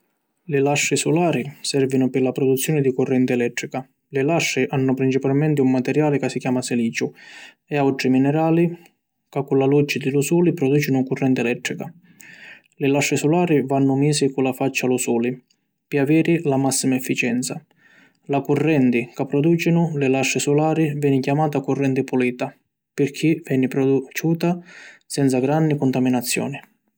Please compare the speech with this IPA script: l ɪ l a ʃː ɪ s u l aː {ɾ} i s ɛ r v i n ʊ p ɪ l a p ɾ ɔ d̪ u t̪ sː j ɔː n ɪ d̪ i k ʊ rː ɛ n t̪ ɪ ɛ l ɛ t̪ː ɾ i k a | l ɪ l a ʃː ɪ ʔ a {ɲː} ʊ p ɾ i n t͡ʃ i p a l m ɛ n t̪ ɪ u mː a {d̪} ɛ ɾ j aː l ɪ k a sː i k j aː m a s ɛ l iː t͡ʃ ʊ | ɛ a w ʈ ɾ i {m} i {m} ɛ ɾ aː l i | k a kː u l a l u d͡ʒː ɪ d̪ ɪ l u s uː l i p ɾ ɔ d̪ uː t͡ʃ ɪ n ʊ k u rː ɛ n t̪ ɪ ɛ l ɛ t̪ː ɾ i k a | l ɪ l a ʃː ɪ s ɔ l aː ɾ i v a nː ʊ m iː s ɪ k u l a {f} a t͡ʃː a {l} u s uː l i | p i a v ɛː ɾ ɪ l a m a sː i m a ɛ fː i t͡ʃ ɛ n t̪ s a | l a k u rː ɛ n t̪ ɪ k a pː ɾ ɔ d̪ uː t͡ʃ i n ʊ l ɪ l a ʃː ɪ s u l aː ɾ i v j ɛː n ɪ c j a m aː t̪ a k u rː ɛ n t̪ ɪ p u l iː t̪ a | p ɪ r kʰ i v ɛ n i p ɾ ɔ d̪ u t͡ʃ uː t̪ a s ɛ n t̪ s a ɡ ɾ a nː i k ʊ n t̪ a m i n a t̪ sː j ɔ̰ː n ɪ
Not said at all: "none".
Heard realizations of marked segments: ɾ, nː, t̪, m, n, f, l

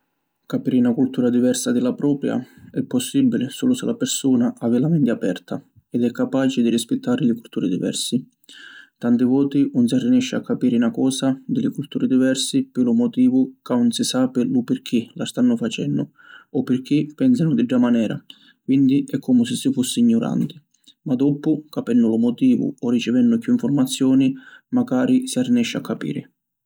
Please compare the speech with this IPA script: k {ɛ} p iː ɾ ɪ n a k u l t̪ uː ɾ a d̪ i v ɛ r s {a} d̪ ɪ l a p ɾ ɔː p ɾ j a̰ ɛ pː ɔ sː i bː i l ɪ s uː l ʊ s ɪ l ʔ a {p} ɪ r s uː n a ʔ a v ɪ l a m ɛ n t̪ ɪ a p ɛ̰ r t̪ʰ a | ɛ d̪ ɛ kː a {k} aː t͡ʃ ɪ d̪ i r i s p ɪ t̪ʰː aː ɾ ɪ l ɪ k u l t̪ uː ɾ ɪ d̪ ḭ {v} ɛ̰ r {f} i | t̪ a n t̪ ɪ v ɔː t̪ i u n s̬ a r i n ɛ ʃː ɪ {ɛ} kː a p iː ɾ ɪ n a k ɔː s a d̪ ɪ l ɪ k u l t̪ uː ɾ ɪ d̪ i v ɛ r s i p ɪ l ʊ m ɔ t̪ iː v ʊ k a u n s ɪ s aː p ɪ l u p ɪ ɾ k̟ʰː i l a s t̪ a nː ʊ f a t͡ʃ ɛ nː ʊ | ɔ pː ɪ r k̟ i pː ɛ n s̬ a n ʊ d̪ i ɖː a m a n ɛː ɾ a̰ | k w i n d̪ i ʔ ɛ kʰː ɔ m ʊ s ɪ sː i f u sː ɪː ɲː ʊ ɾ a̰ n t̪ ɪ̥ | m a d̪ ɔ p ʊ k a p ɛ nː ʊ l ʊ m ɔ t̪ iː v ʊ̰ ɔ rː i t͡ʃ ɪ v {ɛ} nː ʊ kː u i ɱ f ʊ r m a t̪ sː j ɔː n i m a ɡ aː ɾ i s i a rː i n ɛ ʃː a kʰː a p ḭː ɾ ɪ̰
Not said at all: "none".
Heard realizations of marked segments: a, a, p, p, v, s, a, ɛ

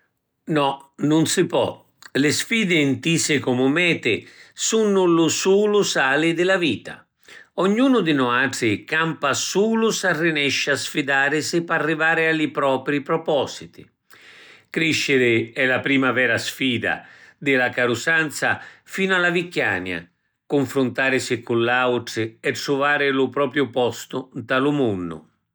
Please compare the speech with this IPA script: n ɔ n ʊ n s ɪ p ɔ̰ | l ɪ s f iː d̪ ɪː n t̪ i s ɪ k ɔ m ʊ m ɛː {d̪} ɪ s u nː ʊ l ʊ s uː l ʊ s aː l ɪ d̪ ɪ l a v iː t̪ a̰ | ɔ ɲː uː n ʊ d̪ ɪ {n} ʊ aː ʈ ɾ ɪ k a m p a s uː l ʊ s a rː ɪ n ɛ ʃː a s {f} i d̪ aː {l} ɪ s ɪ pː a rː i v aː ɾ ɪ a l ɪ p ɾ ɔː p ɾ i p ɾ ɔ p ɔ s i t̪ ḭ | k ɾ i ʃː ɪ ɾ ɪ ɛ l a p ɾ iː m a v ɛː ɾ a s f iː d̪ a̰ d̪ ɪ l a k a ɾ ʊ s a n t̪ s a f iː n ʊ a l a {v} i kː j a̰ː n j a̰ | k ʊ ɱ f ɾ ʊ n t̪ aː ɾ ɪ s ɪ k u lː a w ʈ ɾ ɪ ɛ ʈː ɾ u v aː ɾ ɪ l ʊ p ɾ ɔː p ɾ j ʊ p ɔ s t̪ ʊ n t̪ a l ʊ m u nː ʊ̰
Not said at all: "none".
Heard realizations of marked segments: t̪, n, f, ɾ, v

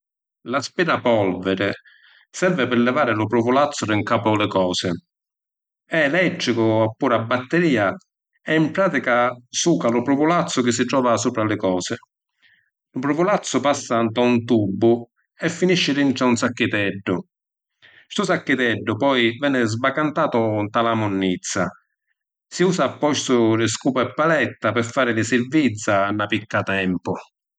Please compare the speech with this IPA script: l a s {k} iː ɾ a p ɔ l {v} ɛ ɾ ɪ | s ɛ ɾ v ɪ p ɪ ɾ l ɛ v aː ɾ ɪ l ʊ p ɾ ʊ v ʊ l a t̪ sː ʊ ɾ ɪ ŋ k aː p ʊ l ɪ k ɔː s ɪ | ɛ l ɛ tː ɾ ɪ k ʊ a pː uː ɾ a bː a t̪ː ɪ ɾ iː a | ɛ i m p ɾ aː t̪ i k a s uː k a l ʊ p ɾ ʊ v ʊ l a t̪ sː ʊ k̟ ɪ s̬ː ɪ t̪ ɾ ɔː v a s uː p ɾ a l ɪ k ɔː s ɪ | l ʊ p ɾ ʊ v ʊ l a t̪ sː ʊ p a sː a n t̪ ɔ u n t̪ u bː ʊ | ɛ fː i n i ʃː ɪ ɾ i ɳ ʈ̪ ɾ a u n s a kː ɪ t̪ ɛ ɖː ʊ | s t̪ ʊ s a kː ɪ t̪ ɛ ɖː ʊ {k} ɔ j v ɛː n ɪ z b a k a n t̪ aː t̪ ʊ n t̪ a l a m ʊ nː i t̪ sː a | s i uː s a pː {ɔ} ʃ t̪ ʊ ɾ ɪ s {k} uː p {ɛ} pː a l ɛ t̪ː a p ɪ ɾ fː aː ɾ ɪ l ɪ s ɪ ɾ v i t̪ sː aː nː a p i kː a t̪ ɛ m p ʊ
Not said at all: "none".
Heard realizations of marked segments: p, v, p, ɔ, k, ɛ

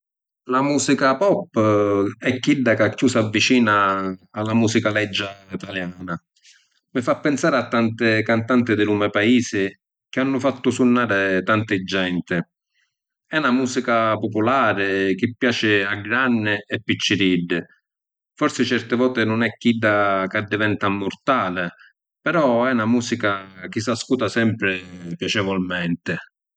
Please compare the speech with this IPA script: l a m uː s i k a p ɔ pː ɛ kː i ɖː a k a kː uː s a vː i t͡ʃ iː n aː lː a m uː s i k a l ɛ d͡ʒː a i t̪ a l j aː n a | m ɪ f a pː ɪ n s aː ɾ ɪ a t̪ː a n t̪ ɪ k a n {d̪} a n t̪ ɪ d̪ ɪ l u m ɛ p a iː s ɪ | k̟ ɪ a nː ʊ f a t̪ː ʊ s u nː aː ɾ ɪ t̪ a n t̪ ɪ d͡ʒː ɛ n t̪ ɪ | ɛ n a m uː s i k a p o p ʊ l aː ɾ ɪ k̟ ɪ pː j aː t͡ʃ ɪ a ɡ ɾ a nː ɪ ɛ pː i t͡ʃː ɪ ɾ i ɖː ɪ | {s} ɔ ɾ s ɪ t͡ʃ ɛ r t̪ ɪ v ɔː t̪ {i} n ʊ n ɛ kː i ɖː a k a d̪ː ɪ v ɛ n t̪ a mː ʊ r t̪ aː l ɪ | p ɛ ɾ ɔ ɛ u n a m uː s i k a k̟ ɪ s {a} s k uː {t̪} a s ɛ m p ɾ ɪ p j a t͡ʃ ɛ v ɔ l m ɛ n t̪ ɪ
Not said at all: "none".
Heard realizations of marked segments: t̪, f, ɪ, a, t̪

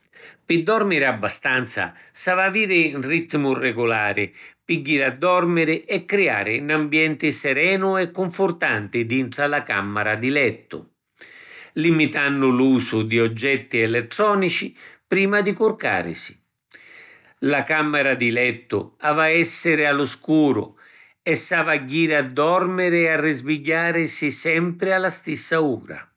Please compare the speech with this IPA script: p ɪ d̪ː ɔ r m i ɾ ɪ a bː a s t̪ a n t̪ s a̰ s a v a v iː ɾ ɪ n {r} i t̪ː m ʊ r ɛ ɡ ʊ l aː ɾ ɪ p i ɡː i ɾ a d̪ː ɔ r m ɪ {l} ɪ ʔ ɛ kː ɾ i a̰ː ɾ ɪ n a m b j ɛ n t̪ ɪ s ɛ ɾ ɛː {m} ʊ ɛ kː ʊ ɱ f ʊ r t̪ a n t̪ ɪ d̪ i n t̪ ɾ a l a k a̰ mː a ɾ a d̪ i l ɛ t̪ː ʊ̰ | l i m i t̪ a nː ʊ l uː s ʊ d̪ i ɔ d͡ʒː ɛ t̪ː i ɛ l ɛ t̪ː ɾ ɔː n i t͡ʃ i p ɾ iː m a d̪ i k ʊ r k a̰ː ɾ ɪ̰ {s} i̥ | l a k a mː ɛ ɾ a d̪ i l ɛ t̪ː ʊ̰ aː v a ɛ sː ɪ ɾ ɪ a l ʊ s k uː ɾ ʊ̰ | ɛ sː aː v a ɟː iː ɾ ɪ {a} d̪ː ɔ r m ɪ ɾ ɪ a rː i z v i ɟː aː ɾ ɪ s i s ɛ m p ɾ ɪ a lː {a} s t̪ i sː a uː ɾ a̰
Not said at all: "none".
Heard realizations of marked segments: r, ɾ, n, s, a, a

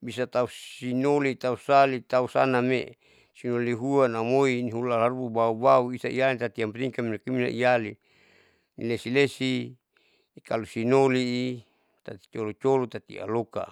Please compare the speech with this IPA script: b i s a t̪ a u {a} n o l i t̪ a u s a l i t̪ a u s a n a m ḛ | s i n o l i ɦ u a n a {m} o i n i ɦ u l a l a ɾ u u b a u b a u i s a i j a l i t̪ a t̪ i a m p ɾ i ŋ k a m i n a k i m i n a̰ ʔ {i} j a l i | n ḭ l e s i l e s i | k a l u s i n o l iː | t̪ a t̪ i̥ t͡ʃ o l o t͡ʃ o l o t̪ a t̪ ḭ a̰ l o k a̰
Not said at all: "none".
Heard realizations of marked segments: i, m, i

